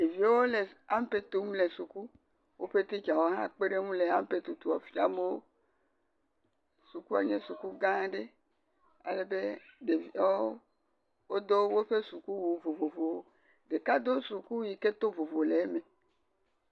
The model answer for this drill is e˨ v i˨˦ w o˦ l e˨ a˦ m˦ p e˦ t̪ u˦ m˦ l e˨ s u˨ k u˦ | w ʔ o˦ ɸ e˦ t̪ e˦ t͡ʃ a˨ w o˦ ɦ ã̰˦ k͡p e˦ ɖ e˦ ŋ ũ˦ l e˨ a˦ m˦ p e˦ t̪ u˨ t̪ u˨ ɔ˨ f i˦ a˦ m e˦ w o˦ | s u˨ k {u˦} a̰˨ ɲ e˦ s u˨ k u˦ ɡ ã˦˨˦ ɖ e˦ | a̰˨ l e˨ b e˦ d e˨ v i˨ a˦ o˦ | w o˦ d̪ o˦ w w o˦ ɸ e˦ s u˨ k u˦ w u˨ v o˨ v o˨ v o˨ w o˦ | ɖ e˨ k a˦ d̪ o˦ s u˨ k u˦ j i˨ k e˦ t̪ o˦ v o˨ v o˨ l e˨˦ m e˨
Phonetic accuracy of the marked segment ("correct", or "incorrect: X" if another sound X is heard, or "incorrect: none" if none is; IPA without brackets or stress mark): correct